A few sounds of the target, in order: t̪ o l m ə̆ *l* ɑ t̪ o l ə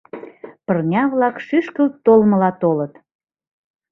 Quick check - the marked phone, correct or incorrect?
correct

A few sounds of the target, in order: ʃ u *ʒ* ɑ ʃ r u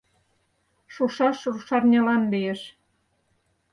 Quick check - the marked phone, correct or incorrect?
incorrect: ʃ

